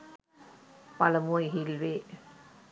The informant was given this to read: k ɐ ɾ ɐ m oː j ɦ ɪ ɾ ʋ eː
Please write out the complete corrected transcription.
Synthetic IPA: p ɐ l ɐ m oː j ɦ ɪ l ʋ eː